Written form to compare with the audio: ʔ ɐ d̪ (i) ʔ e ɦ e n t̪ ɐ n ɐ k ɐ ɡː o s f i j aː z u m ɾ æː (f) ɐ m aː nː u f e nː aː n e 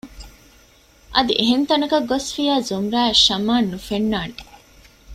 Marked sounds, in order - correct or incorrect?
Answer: correct, incorrect

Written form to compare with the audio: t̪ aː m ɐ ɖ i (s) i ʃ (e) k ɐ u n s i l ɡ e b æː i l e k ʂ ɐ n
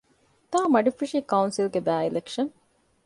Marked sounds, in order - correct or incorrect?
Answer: incorrect, incorrect

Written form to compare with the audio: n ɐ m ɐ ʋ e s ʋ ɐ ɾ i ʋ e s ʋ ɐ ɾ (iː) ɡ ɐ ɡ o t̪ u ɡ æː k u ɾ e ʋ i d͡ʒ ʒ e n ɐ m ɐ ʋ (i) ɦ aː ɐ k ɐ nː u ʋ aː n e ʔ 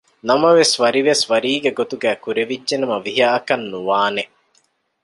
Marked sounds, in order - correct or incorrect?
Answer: correct, correct

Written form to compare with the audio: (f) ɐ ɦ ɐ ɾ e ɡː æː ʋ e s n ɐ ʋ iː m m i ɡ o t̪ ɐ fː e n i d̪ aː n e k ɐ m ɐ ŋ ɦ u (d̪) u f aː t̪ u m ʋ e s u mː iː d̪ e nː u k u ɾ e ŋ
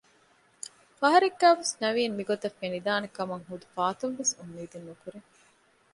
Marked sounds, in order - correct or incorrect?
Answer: correct, correct

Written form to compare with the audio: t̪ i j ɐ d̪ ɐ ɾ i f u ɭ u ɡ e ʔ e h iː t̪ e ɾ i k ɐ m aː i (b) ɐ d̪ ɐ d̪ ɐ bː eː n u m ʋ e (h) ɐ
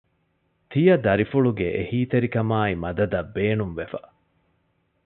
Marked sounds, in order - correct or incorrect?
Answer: incorrect, incorrect

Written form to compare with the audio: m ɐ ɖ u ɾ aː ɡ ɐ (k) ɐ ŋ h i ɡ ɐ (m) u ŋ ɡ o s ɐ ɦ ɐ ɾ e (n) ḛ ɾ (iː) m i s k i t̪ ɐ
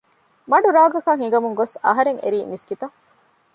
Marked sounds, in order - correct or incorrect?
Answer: correct, correct, incorrect, correct

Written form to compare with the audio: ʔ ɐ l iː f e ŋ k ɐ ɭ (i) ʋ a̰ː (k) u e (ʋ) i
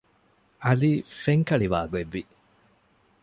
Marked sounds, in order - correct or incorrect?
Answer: correct, incorrect, incorrect

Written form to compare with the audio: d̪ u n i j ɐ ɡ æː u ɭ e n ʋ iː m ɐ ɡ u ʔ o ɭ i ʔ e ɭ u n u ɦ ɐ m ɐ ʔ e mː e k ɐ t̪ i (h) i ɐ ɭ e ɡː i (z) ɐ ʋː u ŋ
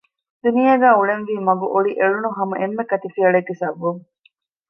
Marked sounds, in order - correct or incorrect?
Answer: incorrect, incorrect

